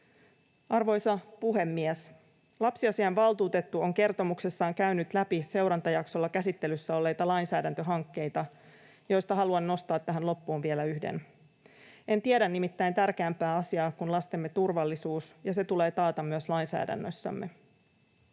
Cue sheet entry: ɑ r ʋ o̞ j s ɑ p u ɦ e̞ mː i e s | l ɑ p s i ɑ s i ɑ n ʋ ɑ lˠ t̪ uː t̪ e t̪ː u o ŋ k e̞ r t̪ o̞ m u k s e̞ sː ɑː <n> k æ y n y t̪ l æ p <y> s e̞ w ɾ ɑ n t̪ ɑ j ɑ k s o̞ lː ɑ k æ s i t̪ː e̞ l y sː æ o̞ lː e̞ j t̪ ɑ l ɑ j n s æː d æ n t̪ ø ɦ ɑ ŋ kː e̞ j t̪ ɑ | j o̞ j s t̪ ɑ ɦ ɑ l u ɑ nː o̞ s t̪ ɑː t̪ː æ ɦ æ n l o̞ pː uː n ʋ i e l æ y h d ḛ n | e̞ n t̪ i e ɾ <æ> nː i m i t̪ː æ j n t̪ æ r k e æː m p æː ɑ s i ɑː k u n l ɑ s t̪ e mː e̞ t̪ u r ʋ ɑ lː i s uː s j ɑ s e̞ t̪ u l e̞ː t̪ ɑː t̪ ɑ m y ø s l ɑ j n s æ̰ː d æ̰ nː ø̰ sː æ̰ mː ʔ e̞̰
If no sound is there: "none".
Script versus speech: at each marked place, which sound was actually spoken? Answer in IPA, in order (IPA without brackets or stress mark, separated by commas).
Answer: ŋ, i, æ